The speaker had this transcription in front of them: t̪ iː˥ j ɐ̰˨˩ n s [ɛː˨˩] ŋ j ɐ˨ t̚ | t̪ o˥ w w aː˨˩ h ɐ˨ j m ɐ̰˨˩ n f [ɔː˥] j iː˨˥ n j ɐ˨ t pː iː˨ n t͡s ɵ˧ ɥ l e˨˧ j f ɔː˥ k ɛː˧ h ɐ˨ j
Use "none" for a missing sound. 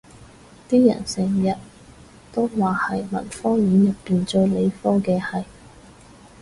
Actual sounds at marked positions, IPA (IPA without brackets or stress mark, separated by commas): ɛː˨˩, ɔː˥